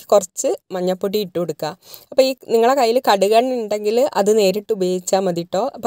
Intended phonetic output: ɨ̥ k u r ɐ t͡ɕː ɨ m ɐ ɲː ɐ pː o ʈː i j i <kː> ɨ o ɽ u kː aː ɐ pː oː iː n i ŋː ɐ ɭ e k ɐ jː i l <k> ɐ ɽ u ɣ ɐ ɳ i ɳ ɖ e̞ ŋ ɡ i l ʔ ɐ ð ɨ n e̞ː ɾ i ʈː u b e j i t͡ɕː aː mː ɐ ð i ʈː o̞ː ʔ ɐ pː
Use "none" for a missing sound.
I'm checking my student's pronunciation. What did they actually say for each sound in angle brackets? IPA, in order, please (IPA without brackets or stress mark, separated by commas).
ʈː, k